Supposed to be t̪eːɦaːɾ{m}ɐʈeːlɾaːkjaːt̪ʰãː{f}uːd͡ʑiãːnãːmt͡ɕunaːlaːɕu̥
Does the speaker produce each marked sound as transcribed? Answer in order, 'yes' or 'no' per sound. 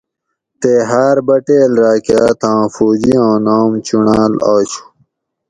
no, yes

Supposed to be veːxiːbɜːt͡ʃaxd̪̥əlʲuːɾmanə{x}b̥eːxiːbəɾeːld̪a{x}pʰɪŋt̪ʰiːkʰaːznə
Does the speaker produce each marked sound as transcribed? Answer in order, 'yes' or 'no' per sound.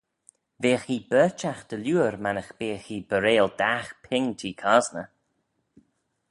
yes, yes

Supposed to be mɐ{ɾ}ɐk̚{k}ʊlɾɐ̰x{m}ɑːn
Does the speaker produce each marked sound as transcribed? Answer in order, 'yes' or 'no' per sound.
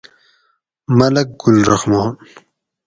no, no, yes

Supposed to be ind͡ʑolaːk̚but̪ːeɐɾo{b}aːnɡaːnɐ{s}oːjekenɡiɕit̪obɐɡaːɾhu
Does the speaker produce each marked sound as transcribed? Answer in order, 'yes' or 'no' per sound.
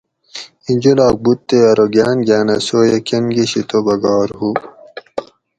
no, yes

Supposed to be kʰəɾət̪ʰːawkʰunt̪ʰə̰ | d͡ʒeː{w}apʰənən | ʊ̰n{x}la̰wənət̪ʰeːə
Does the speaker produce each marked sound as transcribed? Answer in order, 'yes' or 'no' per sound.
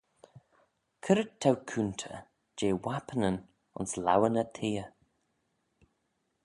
yes, no

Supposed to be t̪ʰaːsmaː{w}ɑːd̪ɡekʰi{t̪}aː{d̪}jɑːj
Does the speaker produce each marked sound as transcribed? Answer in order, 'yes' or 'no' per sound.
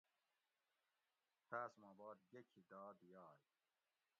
no, no, yes

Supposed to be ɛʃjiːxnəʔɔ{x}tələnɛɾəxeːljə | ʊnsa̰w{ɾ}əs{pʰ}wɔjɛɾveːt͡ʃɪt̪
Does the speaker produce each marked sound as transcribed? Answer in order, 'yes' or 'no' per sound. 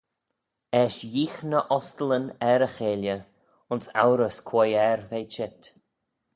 no, yes, no

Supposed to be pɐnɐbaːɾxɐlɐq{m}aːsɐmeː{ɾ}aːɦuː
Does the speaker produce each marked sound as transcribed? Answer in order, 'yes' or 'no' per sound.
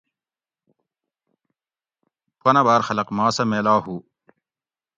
yes, no

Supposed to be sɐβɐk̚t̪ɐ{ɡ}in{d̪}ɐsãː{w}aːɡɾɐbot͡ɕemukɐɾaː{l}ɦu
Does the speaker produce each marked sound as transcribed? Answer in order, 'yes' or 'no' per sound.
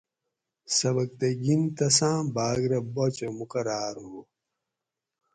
yes, no, no, no

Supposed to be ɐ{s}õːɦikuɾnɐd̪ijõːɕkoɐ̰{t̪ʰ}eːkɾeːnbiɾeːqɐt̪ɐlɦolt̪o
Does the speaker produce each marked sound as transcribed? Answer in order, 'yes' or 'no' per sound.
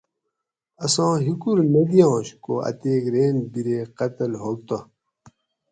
yes, no

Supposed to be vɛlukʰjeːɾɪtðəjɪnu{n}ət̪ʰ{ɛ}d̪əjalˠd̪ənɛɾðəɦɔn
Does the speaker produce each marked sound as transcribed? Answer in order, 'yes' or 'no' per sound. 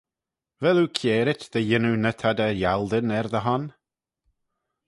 yes, no

